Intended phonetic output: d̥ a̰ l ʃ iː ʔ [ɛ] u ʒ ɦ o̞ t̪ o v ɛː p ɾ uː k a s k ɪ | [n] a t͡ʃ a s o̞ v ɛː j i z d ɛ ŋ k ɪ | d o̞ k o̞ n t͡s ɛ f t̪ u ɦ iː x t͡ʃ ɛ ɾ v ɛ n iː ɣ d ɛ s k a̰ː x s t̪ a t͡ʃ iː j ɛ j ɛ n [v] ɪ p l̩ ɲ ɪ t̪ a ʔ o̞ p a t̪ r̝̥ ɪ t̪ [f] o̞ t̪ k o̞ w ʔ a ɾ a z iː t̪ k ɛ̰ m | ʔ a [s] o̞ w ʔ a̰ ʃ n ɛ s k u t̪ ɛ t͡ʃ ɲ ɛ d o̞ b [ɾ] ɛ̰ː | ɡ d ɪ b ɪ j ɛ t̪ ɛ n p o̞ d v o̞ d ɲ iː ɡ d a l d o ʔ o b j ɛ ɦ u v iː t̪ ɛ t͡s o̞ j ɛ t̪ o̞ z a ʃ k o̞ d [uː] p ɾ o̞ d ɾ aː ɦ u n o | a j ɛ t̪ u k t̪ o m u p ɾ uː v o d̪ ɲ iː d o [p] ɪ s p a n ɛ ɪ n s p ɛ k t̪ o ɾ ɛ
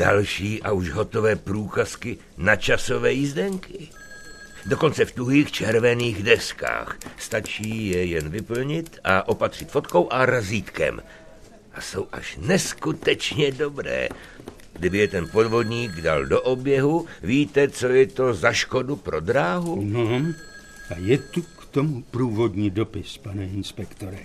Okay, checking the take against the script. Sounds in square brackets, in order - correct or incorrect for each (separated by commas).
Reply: incorrect, correct, correct, correct, correct, correct, incorrect, correct